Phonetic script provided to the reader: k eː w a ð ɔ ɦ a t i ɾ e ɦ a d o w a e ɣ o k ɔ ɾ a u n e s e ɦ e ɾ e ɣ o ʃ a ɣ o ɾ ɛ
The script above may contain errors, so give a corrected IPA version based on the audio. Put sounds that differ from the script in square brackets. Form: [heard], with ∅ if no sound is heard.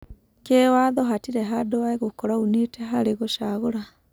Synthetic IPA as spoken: k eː w a ð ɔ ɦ a t i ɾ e ɦ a d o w a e ɣ o k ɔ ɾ a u n e [t] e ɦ [a] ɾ e ɣ o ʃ a ɣ o ɾ [a]